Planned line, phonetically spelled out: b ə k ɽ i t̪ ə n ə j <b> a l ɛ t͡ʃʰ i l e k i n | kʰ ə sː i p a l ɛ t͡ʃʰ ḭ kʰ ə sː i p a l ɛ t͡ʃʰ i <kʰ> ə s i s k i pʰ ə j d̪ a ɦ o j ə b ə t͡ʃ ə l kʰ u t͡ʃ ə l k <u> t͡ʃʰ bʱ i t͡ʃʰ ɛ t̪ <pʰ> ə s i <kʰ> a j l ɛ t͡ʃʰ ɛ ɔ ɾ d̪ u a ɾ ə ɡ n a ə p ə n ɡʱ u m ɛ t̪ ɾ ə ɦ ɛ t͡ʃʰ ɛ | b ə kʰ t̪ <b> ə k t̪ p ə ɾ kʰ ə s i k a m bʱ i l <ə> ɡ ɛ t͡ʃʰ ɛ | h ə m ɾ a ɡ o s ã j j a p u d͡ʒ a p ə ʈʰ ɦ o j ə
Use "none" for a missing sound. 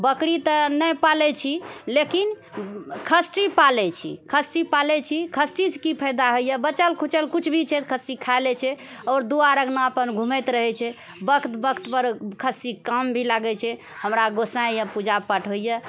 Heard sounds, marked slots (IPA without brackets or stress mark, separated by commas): p, kʰ, u, kʰ, kʰ, b, a